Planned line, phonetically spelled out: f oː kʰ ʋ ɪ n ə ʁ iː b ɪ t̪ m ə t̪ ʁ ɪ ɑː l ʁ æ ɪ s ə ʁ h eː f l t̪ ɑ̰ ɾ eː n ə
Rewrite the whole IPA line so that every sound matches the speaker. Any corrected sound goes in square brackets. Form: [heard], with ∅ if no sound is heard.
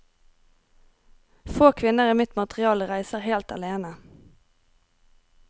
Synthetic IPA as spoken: f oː kʰ ʋ ɪ n ə ʁ iː [m] ɪ t̪ m [ɑ] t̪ ʁ ɪ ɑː l ʁ æ ɪ s ə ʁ h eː [∅] l t̪ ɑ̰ [l] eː n ə